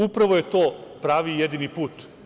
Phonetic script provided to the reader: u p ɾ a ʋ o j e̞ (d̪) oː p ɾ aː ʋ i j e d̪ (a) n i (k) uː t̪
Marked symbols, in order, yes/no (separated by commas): no, no, no